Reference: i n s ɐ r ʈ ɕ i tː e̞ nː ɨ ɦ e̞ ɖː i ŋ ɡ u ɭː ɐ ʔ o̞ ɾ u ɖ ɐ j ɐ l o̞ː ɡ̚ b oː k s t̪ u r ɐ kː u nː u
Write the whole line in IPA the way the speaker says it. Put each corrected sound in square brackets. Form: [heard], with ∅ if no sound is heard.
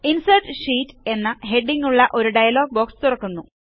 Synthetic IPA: i n s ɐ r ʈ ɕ [iː] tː e̞ nː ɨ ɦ e̞ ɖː i ŋ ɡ u ɭː ɐ ʔ o̞ ɾ u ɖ ɐ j ɐ l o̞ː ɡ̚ b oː k s t̪ u r ɐ kː u nː u